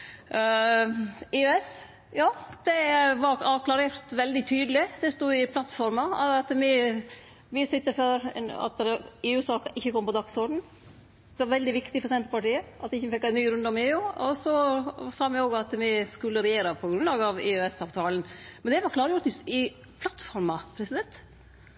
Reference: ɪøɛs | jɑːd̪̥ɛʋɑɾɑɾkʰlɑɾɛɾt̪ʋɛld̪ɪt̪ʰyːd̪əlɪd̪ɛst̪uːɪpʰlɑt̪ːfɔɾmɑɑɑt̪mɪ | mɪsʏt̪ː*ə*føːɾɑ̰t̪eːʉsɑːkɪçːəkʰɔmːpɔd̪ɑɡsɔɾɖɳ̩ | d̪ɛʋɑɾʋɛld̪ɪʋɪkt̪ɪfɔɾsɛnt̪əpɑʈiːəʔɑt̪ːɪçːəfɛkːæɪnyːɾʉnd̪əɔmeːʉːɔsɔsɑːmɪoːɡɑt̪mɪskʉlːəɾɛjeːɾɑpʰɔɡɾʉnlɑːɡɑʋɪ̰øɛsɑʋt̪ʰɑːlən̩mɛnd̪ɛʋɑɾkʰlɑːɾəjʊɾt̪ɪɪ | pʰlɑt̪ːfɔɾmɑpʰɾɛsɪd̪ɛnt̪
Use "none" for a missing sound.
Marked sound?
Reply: ə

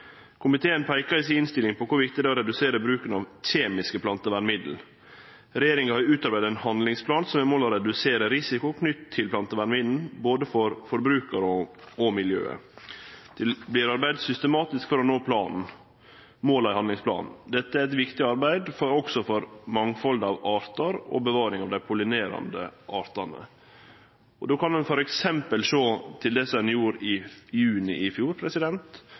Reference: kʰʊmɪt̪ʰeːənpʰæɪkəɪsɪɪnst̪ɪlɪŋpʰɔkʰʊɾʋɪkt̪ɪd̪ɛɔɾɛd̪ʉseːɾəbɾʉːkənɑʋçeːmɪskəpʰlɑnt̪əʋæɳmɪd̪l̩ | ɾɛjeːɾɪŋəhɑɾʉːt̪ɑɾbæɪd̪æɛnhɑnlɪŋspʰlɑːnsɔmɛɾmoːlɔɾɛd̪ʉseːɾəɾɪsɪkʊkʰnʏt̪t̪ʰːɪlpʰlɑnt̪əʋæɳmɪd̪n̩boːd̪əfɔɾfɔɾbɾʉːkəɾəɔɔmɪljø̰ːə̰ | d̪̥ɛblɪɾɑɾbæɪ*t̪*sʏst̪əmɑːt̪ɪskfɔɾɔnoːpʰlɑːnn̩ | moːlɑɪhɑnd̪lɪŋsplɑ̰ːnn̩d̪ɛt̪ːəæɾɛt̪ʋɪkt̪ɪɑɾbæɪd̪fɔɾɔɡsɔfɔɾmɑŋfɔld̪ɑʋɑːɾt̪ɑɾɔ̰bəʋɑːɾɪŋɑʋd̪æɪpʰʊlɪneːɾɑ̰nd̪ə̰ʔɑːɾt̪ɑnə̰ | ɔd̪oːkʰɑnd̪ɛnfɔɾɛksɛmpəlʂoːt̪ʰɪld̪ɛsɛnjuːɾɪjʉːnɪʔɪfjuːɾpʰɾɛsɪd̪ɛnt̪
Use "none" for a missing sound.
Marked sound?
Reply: d̪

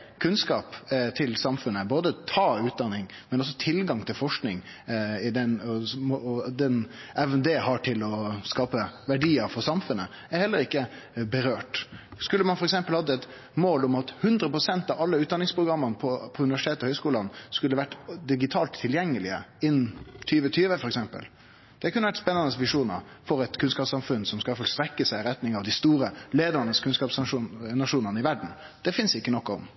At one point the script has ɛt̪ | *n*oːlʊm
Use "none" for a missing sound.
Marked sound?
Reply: m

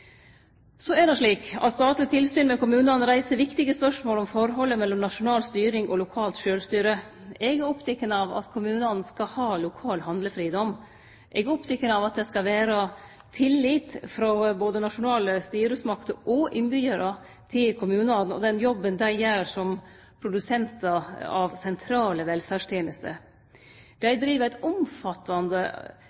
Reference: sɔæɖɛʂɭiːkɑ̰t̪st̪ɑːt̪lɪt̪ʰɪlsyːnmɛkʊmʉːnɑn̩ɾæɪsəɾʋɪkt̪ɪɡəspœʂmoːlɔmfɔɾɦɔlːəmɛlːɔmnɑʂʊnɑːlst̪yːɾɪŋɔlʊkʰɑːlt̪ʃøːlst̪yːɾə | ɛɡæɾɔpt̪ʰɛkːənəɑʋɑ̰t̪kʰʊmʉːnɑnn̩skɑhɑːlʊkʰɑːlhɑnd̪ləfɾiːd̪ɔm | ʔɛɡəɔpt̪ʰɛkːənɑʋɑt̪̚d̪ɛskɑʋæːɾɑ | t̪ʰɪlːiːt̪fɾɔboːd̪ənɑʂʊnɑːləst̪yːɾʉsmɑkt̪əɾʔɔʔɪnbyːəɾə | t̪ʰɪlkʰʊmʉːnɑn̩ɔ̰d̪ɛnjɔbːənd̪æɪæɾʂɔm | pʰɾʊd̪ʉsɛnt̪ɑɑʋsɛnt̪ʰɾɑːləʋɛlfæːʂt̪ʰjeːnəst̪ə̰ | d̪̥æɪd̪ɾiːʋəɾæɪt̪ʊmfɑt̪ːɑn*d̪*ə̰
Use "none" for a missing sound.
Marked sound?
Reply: d̪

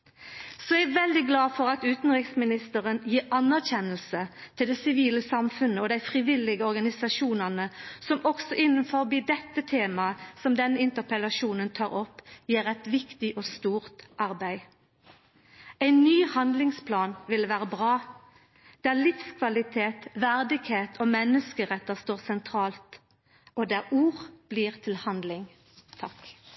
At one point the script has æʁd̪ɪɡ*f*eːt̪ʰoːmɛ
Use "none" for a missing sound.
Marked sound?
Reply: h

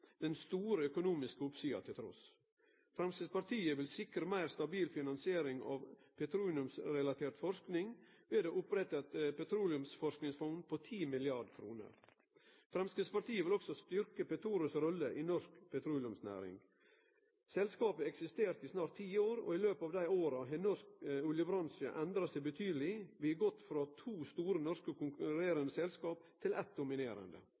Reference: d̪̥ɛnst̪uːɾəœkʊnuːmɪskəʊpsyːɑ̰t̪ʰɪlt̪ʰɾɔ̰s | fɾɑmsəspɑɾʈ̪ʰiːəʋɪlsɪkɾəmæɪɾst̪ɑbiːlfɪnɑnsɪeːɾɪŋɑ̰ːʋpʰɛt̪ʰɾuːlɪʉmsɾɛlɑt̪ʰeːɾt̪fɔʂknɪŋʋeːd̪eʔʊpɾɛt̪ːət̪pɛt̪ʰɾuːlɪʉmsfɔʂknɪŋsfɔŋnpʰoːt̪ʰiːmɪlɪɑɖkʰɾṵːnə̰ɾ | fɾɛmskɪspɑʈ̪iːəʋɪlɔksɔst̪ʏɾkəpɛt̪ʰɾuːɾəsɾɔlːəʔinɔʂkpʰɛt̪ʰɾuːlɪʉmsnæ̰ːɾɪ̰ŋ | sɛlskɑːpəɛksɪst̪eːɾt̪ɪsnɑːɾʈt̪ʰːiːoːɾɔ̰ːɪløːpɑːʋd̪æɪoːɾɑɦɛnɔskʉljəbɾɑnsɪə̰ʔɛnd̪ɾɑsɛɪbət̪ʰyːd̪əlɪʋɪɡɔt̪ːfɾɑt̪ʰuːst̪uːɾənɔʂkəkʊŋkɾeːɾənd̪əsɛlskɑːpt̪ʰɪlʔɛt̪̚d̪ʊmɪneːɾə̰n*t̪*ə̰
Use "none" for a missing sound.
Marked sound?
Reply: d̪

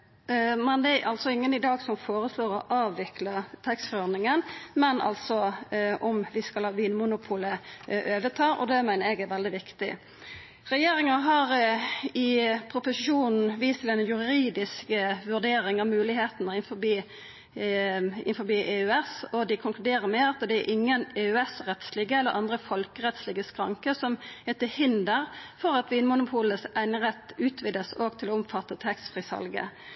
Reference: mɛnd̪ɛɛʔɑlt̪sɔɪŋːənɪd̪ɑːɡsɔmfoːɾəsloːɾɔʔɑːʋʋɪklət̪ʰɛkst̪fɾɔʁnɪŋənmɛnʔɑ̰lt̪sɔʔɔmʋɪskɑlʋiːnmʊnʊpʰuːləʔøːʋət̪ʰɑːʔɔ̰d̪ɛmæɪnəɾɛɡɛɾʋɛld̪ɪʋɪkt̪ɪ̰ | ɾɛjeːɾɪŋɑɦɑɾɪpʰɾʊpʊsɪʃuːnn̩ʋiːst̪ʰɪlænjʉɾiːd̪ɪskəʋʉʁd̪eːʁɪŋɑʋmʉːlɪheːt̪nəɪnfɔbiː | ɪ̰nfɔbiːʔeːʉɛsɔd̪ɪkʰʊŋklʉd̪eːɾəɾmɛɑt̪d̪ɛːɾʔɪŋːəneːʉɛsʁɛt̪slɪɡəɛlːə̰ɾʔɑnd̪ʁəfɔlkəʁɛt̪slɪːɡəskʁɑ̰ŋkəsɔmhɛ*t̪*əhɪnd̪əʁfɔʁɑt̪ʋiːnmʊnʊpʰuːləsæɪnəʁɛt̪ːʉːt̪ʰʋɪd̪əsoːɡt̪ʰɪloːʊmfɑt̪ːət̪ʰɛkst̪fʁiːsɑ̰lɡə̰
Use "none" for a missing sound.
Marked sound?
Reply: t̪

